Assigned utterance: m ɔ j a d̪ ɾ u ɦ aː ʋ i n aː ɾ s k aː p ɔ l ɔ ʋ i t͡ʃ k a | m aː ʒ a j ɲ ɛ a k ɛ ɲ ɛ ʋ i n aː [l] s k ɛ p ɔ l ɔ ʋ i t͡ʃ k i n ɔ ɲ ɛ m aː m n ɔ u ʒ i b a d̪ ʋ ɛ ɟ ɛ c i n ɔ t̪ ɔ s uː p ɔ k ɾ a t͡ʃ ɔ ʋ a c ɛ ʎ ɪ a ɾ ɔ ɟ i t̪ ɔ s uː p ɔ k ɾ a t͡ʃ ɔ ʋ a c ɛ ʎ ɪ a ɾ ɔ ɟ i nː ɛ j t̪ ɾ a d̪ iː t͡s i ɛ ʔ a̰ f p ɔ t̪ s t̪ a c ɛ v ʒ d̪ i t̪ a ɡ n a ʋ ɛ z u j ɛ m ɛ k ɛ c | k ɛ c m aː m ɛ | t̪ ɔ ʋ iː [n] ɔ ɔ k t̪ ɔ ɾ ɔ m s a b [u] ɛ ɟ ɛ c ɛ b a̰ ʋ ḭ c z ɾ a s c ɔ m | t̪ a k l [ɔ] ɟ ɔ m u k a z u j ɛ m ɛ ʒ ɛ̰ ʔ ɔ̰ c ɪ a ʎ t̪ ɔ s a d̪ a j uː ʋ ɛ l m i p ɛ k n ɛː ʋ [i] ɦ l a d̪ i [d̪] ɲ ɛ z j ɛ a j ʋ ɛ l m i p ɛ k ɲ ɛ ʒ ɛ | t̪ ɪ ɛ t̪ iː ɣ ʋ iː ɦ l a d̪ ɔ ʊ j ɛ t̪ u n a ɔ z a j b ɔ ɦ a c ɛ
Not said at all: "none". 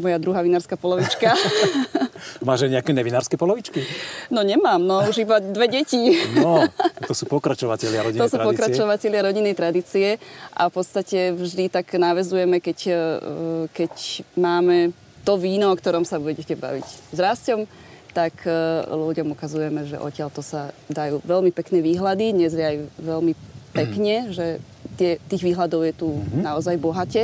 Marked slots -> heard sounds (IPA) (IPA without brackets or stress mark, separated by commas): ɾ, n, u, u, iː, d̪